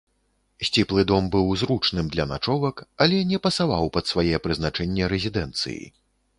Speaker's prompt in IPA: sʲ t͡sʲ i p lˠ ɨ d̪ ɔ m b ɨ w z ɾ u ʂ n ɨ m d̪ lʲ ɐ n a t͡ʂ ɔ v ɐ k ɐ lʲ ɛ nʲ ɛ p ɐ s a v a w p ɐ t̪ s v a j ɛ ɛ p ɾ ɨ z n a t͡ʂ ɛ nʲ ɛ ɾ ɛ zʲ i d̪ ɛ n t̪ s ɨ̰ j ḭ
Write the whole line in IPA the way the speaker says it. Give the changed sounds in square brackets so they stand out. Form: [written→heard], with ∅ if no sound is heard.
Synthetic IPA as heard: sʲ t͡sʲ i p lˠ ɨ d̪ ɔ m b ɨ w z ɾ u [ʂ→t͡ʂ] n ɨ m d̪ lʲ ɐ n a t͡ʂ ɔ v ɐ k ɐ lʲ ɛ nʲ ɛ p ɐ s a v a w p ɐ t̪ s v a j ɛ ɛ p ɾ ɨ z n a t͡ʂ ɛ [nʲ→nʲː] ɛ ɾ ɛ zʲ i d̪ ɛ n t̪ s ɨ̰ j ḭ